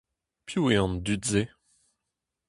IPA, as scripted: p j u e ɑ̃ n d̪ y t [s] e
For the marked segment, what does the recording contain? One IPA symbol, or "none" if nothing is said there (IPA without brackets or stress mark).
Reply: z